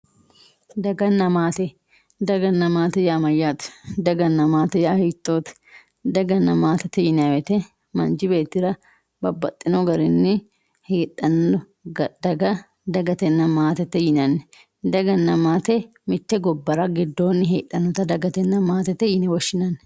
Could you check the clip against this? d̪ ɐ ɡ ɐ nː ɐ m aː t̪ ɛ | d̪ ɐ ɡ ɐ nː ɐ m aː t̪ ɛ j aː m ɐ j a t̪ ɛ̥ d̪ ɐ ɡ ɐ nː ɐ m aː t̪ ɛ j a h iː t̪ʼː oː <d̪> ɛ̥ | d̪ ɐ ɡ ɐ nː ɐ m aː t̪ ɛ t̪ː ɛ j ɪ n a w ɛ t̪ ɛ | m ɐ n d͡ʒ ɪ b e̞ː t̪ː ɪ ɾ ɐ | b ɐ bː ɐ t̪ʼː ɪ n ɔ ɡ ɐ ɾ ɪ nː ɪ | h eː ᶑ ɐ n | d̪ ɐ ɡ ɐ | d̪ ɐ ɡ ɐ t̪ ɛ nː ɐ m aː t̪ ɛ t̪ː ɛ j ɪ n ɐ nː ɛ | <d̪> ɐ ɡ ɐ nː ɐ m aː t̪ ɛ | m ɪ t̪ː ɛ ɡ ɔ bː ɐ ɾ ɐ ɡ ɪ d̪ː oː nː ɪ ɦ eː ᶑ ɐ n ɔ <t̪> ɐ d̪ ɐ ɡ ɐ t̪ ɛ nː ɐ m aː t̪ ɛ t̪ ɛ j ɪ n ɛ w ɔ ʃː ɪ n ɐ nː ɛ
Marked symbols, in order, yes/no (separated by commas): no, yes, yes